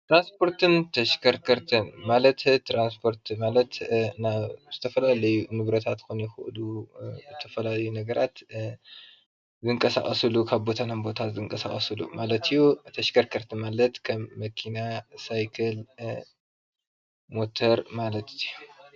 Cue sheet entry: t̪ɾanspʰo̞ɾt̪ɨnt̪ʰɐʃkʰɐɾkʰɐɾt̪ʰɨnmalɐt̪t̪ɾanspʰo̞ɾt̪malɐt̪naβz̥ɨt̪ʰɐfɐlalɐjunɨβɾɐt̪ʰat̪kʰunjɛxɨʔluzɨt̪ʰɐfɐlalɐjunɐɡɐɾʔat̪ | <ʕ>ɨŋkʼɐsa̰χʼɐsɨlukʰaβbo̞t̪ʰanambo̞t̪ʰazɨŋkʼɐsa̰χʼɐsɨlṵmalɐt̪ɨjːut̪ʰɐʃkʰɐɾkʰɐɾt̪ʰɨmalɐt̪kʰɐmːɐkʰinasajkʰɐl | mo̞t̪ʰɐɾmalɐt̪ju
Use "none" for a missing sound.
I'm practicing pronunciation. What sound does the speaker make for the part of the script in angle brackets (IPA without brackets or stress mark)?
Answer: z